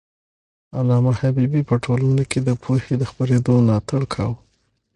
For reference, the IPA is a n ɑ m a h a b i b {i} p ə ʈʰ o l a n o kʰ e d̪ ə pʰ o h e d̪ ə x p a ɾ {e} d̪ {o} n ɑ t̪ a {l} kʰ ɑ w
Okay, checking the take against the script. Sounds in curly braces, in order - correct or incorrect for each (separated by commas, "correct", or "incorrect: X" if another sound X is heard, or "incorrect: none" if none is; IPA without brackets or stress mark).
correct, correct, correct, incorrect: ɽ